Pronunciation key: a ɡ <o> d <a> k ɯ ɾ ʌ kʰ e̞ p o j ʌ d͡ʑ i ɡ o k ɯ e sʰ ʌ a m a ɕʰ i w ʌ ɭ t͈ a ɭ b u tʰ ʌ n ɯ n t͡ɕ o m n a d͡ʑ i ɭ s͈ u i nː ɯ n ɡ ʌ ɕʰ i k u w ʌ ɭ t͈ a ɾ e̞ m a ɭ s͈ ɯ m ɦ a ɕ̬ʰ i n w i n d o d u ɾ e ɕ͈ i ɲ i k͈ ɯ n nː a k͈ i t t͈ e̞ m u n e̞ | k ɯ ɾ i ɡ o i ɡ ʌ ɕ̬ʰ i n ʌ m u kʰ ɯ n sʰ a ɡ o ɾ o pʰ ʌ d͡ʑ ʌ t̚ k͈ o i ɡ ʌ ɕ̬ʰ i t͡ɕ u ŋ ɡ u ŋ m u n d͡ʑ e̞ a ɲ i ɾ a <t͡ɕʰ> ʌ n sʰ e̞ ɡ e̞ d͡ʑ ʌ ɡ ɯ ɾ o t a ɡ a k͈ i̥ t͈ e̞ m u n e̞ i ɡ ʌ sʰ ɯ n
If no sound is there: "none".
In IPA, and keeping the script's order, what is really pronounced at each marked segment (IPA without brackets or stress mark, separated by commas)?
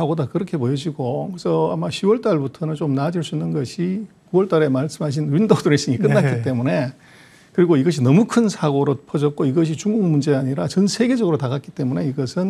o, a, t͡ɕ